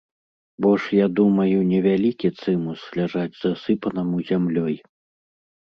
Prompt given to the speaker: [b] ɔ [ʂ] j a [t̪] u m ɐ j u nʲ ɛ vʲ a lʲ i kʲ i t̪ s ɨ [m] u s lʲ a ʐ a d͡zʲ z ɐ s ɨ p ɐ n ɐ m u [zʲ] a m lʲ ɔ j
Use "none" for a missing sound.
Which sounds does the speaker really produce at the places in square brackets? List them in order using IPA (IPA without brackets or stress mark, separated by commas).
b, ʂ, d̪, m, zʲ